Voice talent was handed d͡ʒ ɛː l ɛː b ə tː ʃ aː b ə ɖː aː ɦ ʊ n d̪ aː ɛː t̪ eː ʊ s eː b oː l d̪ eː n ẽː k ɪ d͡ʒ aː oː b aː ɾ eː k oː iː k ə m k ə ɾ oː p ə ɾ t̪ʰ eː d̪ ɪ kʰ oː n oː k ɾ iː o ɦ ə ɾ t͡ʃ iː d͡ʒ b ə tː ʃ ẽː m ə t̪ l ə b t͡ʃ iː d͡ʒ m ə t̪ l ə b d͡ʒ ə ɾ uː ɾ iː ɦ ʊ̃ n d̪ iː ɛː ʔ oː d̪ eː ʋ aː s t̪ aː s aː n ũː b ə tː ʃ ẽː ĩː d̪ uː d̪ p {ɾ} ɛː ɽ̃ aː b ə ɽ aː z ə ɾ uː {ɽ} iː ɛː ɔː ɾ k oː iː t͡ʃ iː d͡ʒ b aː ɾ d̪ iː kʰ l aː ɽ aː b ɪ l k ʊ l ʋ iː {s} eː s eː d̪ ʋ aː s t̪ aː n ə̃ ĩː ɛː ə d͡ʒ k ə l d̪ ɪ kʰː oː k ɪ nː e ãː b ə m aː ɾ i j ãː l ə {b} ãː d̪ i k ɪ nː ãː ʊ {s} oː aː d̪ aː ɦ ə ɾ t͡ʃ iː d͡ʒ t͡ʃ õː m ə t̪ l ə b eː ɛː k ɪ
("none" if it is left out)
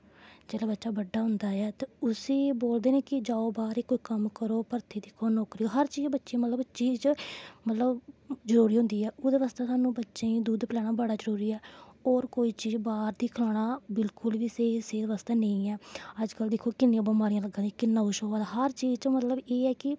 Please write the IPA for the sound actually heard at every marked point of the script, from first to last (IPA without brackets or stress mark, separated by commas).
l, ɾ, s, ɡ, ʃ